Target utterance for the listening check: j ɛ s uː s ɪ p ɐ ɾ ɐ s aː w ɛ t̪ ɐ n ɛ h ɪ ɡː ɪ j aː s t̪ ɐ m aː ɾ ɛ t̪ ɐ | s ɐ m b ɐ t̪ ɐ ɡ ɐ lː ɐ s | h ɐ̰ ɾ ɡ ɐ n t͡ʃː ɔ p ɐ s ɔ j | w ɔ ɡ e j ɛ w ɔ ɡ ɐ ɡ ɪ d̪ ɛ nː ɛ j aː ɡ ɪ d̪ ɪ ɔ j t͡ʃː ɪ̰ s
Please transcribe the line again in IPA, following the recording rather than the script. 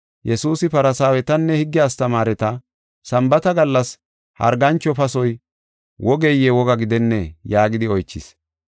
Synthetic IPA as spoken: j ɛ s uː s ɪ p ɐ ɾ ɐ s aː w ɛ t̪ ɐ nː ɛ h ɪ ɡː ɪ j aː s t̪ ɐ m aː ɾ ɛ t̪ ɐ | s ɐ m b ɐ t̪ ɐ ɡ ɐ lː ɐ s | h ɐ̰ ɾ ɡ ɐ n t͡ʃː ɔ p ɐ s ɔ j | w ɔ ɡ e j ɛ w ɔ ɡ ɐ ɡ ɪ d̪ ɛ nː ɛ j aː ɡ ɪ d̪ ɪ ɔ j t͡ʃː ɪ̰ s